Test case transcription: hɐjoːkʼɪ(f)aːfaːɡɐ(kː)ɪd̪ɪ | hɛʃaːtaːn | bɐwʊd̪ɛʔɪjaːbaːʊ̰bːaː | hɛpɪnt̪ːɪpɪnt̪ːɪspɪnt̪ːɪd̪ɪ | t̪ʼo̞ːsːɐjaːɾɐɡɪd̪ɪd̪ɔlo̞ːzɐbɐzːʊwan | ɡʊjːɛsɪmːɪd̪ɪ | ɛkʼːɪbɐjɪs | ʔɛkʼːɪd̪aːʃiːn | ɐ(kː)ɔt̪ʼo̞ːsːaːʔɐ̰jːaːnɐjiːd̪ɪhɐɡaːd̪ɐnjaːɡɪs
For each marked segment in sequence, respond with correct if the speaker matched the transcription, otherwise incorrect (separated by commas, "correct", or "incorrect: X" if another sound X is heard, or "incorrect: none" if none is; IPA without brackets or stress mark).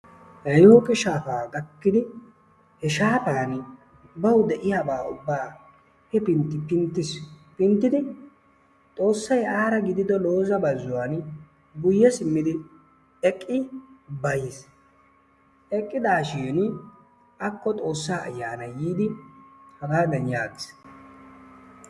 incorrect: ʃ, correct, correct